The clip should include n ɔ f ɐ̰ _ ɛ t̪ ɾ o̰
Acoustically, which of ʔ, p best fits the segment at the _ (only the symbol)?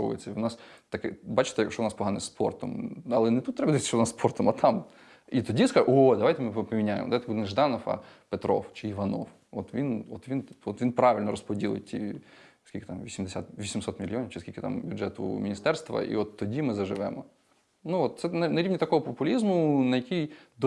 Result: p